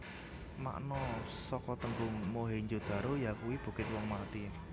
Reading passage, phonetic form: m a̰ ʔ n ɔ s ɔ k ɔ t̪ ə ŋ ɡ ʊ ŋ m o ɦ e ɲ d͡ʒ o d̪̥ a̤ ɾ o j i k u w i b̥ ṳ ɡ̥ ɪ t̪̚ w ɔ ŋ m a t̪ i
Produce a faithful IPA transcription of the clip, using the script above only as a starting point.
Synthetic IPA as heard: m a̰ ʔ n ɔ s ɔ k ɔ t̪ ə ŋ ɡ ʊ ŋ m o ɦ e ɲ d͡ʒ o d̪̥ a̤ ɾ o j a k u w i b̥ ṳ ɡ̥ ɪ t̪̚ w ɔ ŋ m a t̪ i